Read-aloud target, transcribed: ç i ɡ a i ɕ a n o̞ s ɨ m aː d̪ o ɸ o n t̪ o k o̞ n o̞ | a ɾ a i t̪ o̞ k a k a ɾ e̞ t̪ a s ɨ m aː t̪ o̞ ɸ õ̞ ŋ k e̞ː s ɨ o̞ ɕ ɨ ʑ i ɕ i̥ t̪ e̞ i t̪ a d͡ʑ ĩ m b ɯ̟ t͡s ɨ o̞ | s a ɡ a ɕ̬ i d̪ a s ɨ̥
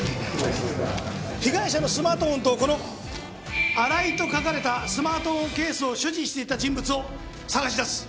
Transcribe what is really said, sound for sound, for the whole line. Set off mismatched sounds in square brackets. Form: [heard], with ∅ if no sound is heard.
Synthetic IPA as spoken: ç i ɡ a i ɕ a n o̞ s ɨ m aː [t̪] o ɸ o n t̪ o k o̞ n o̞ | a ɾ a i t̪ o̞ k a k a ɾ e̞ t̪ a s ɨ m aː t̪ o̞ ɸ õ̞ ŋ k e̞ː s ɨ o̞ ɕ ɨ ʑ i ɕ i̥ t̪ e̞ i t̪ a d͡ʑ ĩ m b ɯ̟ t͡s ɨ o̞ | s a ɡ a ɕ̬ i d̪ a s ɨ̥